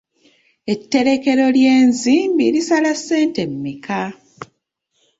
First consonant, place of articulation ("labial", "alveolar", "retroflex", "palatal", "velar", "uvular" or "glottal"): alveolar